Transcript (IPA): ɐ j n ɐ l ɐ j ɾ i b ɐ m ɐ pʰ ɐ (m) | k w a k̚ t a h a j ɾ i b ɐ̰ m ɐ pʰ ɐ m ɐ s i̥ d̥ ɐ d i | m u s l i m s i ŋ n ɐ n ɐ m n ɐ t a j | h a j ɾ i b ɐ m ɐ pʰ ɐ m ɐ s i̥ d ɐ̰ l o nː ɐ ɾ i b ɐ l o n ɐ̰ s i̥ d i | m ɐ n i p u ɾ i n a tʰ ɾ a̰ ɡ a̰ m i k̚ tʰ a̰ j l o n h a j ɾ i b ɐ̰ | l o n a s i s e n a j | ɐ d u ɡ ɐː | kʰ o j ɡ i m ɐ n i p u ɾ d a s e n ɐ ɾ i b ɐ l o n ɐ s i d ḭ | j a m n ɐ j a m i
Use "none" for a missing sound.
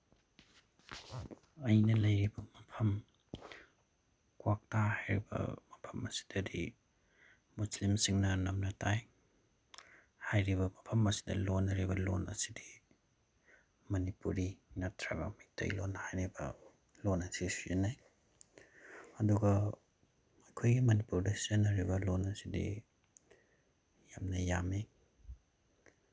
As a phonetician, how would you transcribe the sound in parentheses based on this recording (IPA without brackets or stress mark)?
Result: m